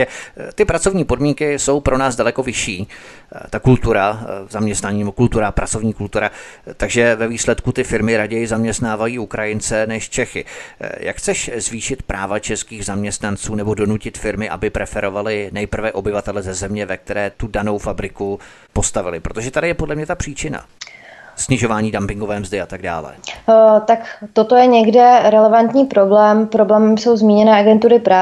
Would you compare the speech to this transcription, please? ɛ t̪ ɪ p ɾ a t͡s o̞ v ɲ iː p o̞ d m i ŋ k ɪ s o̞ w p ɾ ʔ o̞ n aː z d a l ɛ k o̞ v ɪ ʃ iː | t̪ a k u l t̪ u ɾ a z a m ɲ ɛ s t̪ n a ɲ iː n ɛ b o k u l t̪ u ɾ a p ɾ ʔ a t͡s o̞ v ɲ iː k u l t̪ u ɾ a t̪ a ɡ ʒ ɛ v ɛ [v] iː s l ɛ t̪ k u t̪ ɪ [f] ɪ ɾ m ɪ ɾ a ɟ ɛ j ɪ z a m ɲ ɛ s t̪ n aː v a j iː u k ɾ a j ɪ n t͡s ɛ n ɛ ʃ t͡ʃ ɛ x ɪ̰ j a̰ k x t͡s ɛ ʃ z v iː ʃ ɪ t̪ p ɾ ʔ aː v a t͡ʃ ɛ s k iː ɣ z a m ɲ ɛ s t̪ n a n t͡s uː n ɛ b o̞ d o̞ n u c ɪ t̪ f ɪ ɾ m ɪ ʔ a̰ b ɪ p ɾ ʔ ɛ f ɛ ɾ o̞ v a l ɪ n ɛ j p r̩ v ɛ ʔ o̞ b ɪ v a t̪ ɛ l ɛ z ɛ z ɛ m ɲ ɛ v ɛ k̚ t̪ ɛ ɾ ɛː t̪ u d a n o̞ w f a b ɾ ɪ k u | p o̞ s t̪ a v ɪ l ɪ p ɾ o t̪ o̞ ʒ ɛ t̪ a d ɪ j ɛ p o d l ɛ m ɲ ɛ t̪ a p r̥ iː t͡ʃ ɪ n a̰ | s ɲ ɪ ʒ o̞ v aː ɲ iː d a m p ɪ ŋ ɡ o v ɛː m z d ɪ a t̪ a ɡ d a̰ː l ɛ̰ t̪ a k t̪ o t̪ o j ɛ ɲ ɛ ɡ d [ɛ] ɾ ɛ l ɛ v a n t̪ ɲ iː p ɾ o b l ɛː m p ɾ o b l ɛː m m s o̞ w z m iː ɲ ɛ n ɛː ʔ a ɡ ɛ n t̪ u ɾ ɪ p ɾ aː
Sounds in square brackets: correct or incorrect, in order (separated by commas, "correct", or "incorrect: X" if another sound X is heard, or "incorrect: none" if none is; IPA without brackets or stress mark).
correct, correct, correct